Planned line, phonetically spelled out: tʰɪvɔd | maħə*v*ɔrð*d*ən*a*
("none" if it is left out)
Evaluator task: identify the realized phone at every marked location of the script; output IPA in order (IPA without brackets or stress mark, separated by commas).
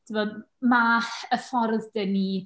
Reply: f, d, i